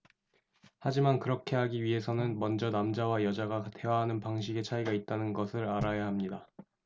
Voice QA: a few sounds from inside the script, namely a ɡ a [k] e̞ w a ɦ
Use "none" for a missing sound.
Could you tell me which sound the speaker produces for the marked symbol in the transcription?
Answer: t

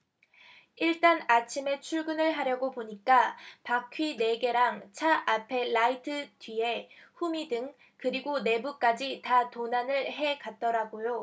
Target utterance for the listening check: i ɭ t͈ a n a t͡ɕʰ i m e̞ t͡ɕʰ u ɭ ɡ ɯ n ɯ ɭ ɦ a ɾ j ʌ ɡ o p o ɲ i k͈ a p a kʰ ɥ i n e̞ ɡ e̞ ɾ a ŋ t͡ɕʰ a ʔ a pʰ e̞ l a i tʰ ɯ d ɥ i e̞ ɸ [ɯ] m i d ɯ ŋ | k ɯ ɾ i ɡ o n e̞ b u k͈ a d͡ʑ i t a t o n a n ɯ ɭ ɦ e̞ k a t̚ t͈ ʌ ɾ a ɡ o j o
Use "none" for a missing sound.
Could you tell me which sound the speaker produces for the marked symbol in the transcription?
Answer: u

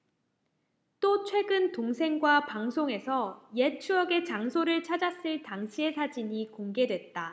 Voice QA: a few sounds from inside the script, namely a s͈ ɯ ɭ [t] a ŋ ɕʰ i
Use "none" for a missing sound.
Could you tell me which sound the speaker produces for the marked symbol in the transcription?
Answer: t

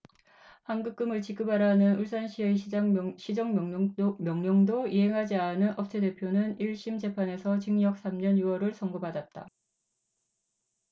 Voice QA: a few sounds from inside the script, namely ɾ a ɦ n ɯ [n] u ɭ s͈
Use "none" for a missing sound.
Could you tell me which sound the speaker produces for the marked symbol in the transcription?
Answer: n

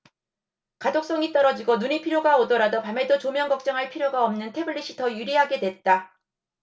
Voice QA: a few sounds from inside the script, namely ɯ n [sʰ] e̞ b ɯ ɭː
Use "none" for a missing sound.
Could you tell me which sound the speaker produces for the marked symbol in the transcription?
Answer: tʰ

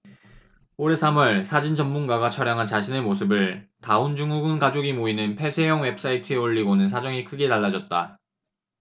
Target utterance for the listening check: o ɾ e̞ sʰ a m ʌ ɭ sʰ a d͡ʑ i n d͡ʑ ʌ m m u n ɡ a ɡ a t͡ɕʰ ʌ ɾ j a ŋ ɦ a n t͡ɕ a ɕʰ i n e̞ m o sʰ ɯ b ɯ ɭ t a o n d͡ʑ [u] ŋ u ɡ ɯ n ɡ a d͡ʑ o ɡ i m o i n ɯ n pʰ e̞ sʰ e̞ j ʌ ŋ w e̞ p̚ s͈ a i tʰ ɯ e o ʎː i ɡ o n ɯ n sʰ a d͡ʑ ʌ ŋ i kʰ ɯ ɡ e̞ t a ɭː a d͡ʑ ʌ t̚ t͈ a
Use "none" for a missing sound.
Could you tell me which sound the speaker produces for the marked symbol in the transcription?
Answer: u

